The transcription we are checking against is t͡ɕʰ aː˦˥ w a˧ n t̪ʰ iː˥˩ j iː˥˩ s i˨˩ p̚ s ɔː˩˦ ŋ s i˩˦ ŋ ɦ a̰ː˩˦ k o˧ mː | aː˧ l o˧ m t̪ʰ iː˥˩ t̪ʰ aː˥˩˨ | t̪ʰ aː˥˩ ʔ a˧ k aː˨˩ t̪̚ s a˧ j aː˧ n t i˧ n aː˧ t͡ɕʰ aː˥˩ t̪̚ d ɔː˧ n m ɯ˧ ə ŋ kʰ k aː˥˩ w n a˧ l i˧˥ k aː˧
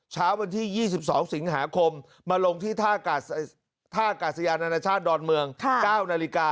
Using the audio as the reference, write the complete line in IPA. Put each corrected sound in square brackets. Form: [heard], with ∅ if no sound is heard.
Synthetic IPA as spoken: t͡ɕʰ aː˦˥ w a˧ n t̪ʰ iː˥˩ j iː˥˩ s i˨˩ p̚ s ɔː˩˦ ŋ s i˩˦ ŋ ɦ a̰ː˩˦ [kʰ] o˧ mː | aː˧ l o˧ [ŋ] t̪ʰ iː˥˩ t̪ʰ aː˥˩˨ | t̪ʰ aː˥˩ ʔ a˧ k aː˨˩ t̪̚ s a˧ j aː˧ n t [a˧] n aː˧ t͡ɕʰ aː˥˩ t̪̚ d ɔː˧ n m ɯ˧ ə ŋ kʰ k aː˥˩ w n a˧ l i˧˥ k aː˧